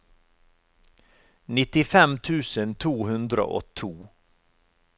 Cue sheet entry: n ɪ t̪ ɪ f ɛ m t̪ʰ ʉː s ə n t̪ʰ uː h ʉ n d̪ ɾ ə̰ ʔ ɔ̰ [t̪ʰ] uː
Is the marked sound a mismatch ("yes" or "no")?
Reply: no